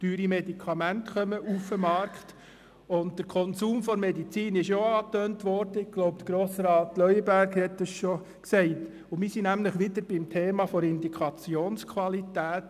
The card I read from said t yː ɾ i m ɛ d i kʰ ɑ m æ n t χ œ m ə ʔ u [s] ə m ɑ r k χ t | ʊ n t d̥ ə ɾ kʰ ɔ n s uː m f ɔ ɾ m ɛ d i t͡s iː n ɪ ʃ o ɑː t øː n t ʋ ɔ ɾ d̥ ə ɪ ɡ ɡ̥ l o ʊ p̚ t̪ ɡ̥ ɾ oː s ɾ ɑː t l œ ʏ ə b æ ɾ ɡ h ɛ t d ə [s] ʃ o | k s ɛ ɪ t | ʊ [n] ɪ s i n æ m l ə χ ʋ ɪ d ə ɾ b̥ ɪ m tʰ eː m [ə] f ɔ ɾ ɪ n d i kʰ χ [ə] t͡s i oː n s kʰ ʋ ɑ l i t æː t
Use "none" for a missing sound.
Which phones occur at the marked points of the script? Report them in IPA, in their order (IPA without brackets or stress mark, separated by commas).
f, s, m, ɑ, ɑ